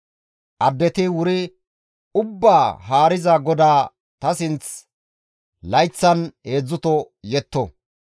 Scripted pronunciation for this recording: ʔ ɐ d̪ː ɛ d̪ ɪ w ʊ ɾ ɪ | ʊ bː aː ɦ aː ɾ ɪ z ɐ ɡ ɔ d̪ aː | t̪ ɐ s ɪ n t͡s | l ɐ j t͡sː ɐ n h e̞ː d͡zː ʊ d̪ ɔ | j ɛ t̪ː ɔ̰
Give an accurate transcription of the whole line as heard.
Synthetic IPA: ʔ ɐ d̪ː ɛ t̪ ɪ w ʊ ɾ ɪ | ʊ bː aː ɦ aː ɾ ɪ z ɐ ɡ ɔ d̪ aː | t̪ ɐ s ɪ n t͡s | l ɐ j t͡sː ɐ n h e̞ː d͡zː ʊ t̪ ɔ | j ɛ t̪ː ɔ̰